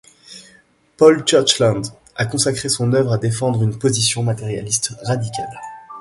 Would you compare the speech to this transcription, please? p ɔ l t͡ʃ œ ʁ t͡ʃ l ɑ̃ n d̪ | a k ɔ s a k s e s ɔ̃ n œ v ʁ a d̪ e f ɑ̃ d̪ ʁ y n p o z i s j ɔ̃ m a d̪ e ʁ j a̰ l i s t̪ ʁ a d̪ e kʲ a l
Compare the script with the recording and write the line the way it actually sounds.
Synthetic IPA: p ɔ l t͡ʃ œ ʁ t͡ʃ l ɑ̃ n d̪ | a k ɔ̃ s a k χ e s ɔ̃ n œ v ʁ a d̪ e f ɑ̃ d̪ ʁ y n p o z i s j ɔ̃ m a t̪ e ʁ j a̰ l i s t̪ ʁ a d̪ i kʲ a l